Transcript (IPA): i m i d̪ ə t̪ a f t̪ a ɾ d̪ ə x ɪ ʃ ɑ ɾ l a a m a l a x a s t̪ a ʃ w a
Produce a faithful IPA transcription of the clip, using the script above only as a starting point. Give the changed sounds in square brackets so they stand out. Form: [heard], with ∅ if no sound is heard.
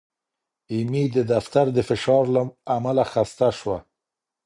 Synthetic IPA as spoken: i m i d̪ ə [d̪] a f t̪ a ɾ d̪ ə [f] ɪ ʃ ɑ ɾ l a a m a l a x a s t̪ a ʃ w a